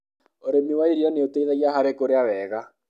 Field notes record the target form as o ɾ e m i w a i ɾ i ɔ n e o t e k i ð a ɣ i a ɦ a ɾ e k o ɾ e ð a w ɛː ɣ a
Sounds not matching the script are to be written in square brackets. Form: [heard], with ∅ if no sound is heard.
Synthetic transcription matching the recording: o ɾ e m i w a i ɾ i ɔ n e o t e [∅] i ð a ɣ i a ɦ a ɾ e k o ɾ e [∅] a w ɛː ɣ a